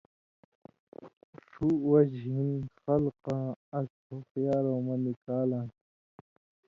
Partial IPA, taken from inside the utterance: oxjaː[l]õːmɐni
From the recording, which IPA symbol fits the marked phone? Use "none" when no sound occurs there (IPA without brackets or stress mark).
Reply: ɾ